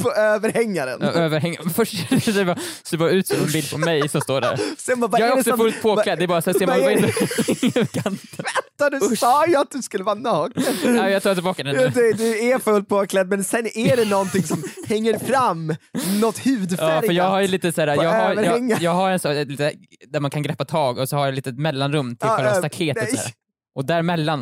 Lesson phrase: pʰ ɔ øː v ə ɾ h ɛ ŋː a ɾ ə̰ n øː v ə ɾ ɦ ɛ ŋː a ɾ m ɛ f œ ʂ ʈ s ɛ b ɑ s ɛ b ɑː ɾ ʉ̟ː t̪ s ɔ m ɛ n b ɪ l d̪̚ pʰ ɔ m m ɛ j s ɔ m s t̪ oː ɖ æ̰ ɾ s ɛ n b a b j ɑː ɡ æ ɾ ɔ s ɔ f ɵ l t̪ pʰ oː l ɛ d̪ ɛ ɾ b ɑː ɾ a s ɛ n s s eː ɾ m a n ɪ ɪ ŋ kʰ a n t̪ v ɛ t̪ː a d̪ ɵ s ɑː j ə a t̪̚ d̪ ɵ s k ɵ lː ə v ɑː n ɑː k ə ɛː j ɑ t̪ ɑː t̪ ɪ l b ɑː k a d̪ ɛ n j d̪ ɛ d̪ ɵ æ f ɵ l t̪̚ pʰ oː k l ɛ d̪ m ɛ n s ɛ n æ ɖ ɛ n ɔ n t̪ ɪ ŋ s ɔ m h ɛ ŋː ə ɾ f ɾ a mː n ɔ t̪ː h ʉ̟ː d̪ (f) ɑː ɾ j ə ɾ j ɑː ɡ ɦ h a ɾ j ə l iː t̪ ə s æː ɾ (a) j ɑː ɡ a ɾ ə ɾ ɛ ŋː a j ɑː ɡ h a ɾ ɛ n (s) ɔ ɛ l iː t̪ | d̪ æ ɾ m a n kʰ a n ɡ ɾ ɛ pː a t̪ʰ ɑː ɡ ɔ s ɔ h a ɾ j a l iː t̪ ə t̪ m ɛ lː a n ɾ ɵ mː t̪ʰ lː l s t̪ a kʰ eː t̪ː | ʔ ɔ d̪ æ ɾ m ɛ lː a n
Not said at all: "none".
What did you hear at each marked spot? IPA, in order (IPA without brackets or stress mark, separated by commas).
f, a, s